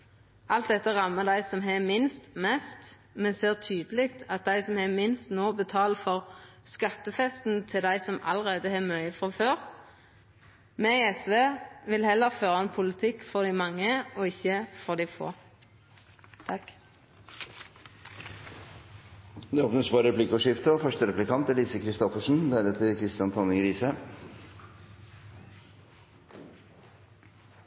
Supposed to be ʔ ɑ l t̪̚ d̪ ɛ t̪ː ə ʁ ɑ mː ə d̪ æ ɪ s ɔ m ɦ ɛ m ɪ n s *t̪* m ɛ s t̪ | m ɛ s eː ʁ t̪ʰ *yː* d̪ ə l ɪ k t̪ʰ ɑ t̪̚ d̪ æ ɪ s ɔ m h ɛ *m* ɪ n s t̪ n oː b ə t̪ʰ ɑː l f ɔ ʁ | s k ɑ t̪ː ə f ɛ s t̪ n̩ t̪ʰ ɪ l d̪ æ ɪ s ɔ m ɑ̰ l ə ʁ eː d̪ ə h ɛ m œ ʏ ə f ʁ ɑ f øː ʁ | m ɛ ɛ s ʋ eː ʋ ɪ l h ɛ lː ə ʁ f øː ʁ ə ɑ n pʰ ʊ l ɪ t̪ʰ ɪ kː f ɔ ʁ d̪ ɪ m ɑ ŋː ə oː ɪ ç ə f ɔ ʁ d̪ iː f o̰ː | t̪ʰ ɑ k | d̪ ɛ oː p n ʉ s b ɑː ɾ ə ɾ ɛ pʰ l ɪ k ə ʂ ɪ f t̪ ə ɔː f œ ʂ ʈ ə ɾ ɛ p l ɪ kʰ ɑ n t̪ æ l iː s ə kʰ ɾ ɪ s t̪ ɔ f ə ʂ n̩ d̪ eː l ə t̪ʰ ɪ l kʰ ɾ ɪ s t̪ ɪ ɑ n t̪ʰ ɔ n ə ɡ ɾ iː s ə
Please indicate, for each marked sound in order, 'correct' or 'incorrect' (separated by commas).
correct, correct, correct